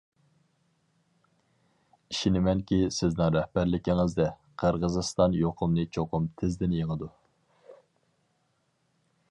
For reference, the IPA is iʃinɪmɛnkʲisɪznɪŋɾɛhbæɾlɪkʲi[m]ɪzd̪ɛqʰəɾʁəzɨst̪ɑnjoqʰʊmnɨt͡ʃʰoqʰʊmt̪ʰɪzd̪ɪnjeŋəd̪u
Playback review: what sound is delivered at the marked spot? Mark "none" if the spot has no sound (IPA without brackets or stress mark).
ŋ